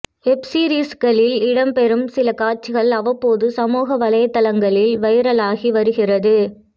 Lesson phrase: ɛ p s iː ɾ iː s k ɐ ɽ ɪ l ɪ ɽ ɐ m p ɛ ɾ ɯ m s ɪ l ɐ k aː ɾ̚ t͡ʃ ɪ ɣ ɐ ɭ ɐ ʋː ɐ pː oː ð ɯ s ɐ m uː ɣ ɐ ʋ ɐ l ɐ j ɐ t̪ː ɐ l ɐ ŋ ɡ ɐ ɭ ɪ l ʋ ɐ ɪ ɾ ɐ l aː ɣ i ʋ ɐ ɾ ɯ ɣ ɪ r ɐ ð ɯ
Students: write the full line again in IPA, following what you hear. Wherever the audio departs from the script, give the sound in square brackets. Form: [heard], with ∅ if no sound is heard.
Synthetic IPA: ɛ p s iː ɾ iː s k ɐ [ɭ] ɪ l ɪ ɽ ɐ m p ɛ ɾ ɯ m s ɪ l ɐ k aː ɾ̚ t͡ʃ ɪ ɣ ɐ ɭ ɐ [ʋ] ɐ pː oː ð ɯ s ɐ m uː ɣ ɐ ʋ ɐ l ɐ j ɐ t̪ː ɐ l ɐ ŋ ɡ ɐ ɭ ɪ l ʋ ɐ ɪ ɾ ɐ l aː ɣ i ʋ ɐ ɾ ɯ ɣ ɪ r ɐ ð ɯ